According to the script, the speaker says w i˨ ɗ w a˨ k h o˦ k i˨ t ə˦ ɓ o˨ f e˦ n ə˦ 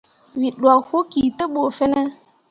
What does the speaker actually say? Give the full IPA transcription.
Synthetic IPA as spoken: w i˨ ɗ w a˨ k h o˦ k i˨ t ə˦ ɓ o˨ f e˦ n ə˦

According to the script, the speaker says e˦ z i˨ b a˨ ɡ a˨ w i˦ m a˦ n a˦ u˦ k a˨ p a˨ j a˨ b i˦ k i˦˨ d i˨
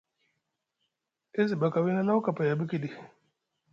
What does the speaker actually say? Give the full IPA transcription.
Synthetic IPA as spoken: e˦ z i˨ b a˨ k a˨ w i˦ n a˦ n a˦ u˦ k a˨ p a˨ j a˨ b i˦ k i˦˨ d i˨

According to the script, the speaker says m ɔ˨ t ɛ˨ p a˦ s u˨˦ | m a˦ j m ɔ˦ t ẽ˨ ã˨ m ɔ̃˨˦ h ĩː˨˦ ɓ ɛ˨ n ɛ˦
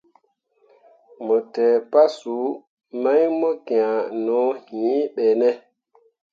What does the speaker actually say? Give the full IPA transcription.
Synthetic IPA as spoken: m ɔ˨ t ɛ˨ p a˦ s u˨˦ | m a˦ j m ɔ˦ k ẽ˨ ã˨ n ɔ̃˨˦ h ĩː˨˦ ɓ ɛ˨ n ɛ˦

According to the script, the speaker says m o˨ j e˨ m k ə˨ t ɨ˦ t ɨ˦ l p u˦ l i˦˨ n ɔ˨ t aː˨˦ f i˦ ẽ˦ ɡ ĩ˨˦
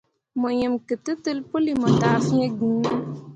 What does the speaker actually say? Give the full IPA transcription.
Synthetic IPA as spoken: m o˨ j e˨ m k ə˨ t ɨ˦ t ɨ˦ l p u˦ l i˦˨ m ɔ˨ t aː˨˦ f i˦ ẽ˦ ɡ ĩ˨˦

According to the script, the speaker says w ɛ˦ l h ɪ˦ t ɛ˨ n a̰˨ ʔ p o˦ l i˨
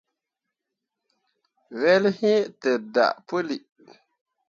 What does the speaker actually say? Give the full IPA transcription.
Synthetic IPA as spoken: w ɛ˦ l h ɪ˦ t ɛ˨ d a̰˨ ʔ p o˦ l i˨

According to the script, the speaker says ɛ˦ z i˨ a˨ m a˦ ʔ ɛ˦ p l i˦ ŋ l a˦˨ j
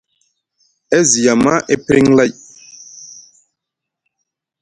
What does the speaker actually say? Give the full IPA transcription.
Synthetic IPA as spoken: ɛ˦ z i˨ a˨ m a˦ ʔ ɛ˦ p ɾ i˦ ŋ l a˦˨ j

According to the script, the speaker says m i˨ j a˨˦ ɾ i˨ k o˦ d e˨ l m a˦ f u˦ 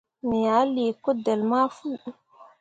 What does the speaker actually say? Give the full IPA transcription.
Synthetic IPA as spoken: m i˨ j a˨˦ l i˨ k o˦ d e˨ l m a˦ f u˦

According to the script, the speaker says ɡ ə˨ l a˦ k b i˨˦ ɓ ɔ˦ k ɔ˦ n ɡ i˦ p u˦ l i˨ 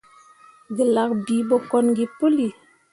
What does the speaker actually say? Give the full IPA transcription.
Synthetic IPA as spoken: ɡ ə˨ l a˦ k b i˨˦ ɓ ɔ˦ k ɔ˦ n ɡ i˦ p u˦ l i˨

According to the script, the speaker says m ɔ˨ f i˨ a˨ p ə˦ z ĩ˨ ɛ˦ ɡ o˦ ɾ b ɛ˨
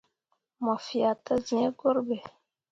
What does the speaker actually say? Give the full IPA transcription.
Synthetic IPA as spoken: m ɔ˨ f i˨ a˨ t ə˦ z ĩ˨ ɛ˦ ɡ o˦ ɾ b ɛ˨

